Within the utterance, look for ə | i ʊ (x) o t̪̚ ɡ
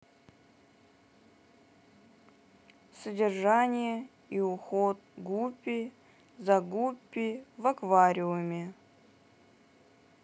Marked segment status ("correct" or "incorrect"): correct